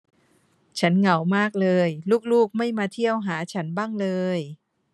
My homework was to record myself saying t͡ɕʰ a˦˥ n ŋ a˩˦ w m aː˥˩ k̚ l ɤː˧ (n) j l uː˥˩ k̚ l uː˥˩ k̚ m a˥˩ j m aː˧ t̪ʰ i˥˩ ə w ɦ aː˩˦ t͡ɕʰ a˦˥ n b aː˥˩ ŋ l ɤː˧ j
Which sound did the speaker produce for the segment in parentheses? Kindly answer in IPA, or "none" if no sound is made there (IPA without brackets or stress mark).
none